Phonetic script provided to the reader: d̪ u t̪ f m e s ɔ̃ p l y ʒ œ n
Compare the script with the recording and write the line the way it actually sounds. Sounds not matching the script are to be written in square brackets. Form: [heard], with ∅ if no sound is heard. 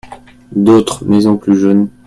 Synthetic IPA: d̪ [o] t̪ [χ] m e [z] ɔ̃ p l y ʒ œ n

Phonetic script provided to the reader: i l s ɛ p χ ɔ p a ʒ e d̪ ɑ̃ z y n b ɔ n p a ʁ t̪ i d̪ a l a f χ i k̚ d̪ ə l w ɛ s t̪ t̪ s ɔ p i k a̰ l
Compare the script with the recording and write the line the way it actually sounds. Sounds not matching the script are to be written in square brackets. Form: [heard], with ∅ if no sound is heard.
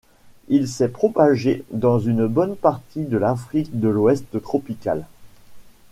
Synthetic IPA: i l s ɛ p χ ɔ p a ʒ e d̪ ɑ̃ z y n b ɔ n p a ʁ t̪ i d̪ [ə] l a f χ i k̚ d̪ ə l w ɛ s t̪ t̪ [χ] ɔ p i k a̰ l

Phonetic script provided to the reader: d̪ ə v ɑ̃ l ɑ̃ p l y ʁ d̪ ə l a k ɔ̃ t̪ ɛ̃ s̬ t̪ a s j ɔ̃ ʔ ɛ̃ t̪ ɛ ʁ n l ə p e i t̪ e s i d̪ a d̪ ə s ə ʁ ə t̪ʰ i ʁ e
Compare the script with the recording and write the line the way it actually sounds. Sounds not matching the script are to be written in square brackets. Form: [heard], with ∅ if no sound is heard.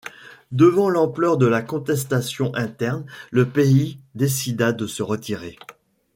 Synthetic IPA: d̪ ə v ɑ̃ l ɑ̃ p l [œ] ʁ d̪ ə l a k ɔ̃ t̪ [ɛ] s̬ t̪ a s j ɔ̃ ʔ ɛ̃ t̪ ɛ ʁ n l ə p e i [d̪] e s i d̪ a d̪ ə s ə ʁ ə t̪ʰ i ʁ e

